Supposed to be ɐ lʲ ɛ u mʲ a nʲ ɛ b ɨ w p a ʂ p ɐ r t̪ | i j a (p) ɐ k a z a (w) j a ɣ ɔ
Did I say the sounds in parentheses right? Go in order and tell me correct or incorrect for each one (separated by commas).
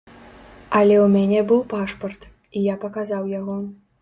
correct, correct